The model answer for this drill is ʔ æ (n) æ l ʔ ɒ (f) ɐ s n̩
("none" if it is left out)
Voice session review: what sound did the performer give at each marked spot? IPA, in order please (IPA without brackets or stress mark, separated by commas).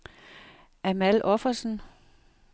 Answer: m, f